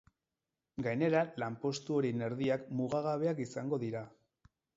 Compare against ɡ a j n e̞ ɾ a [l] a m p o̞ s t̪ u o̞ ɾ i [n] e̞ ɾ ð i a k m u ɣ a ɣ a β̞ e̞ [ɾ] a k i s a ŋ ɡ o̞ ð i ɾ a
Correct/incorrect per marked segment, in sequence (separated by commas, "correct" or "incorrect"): correct, correct, incorrect